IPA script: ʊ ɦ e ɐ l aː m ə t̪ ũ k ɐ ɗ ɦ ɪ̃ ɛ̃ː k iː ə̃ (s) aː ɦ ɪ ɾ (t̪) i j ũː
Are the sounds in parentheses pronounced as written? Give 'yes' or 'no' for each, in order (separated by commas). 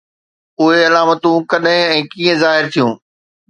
no, no